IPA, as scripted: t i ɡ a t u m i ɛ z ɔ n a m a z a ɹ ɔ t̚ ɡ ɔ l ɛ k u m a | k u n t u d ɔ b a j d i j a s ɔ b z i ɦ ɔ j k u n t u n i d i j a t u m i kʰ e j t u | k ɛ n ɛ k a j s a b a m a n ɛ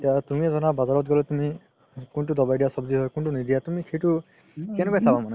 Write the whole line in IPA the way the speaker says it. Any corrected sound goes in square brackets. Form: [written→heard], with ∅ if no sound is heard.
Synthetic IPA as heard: t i [ɡ→∅] a t u m i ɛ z ɔ n a [m→b] a z a ɹ ɔ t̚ ɡ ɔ l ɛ [k→t] u m [a→i] | k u n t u d ɔ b a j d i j a s ɔ b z i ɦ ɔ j k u n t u n i d i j a t u m i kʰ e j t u | k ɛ n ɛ k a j s a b a m a n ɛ